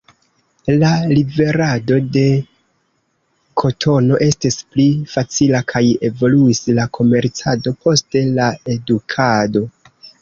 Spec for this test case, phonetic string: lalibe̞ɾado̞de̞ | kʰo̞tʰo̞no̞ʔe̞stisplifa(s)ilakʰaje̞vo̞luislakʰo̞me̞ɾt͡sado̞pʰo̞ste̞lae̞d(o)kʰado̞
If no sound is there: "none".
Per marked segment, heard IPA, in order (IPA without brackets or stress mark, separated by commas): t͡s, u